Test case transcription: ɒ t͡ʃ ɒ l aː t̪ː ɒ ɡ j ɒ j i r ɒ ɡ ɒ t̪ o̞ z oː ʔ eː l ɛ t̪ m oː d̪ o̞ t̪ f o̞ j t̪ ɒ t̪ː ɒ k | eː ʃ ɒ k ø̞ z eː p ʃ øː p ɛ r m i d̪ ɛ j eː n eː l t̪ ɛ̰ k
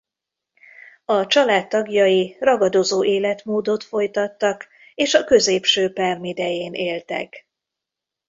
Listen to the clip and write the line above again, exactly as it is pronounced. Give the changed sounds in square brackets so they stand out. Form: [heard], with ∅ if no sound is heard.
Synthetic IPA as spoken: ɒ t͡ʃ ɒ l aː t̪ː ɒ ɡ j ɒ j i r ɒ ɡ ɒ [d̪] o̞ z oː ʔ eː l ɛ t̪ m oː d̪ o̞ t̪ f o̞ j t̪ ɒ t̪ː ɒ k | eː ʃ ɒ k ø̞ z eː p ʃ øː p ɛ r m i d̪ ɛ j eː n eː l t̪ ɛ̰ k